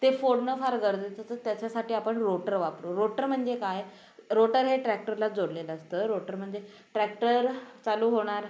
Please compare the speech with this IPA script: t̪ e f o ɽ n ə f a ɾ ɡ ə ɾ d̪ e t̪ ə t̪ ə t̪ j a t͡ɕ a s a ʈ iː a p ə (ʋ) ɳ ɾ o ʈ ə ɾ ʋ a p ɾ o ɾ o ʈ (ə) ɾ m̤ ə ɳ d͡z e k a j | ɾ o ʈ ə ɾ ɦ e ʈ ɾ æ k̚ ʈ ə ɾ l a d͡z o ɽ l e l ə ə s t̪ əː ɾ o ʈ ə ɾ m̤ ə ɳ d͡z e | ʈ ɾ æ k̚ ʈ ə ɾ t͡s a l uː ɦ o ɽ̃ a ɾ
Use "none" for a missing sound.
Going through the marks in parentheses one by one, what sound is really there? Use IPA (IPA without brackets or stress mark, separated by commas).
none, ə